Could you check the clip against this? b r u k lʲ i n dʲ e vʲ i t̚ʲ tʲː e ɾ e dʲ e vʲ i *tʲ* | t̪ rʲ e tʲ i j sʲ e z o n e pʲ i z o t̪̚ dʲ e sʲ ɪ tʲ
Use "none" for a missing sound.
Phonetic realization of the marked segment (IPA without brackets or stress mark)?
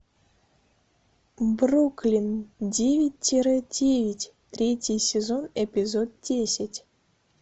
tʲ